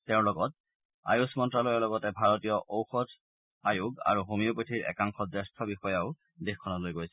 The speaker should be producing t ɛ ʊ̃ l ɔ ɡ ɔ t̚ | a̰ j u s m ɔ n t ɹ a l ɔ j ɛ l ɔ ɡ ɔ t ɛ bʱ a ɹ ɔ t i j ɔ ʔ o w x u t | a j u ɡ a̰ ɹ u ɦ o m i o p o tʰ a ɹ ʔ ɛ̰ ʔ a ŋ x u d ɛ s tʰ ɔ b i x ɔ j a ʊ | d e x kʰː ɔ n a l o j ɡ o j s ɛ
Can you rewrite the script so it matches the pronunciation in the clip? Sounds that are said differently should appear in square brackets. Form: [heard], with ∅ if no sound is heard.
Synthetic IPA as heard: t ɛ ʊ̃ l ɔ ɡ ɔ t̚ | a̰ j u s m ɔ n t ɹ a l ɔ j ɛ l ɔ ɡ ɔ t ɛ bʱ a ɹ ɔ t i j ɔ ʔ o w x [ɔ] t | a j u ɡ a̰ ɹ u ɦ o m i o p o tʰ [i] ɹ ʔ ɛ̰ [k] a ŋ x [ɔ] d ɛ s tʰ ɔ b i x ɔ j a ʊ | d e x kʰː ɔ n a l o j ɡ o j s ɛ